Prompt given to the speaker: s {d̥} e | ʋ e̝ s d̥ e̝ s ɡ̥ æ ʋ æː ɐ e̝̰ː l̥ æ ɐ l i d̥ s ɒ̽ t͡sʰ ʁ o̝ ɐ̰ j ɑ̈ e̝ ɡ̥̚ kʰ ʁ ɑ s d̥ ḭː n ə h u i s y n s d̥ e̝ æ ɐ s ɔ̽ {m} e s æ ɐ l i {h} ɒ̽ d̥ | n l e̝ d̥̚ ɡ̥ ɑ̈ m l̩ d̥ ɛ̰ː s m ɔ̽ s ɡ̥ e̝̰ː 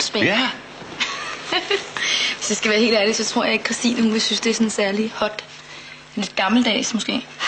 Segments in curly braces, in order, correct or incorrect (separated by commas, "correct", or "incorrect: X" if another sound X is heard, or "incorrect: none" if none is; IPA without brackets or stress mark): incorrect: b̥, incorrect: n, correct